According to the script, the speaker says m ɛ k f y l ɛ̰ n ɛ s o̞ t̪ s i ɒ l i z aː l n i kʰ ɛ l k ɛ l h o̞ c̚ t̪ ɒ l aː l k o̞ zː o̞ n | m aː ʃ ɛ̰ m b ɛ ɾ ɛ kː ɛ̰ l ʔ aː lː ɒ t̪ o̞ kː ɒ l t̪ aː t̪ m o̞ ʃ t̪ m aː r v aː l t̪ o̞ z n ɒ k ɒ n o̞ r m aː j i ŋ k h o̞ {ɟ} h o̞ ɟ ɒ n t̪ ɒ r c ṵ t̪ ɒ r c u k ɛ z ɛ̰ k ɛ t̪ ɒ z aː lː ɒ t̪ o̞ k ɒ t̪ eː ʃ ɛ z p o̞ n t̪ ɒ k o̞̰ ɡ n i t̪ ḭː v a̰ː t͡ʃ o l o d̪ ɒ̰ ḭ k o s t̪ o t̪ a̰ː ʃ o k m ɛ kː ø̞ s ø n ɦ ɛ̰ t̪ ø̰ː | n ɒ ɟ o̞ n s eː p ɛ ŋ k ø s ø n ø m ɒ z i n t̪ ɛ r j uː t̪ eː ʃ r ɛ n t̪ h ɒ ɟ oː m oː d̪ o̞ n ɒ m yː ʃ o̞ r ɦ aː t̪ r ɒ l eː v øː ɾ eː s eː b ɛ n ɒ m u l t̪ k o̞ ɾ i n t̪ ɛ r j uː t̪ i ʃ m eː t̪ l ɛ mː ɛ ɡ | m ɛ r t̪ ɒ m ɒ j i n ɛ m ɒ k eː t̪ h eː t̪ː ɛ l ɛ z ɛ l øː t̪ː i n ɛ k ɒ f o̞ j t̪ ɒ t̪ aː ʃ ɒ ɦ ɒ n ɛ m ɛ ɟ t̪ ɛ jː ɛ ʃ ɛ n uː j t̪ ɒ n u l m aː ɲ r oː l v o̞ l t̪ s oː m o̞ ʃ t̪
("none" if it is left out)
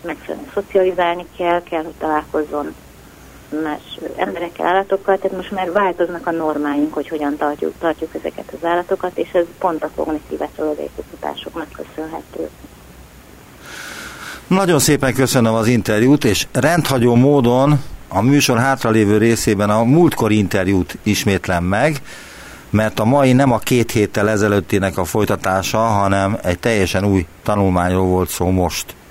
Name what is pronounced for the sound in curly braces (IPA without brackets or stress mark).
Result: c